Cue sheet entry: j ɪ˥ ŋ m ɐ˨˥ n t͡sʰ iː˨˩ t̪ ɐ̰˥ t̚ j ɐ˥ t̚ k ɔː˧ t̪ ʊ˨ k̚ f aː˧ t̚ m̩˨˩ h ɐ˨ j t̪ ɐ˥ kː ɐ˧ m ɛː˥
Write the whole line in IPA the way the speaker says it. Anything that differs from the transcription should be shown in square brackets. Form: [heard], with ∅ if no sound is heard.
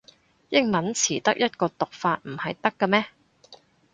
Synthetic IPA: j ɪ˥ ŋ m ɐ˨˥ n t͡sʰ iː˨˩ t̪ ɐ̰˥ [k̚] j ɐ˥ t̚ k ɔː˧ t̪ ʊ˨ k̚ f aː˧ t̚ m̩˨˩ h ɐ˨ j t̪ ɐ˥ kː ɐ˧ m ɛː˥